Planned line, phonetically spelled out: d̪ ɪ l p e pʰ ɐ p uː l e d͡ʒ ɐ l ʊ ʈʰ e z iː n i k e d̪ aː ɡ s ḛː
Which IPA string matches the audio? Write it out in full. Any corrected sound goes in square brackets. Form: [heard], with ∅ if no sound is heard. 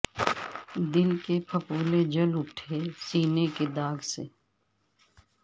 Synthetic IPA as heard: d̪ ɪ l [k] e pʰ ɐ p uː l e d͡ʒ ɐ l ʊ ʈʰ e [s] iː n [e] k e d̪ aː ɡ s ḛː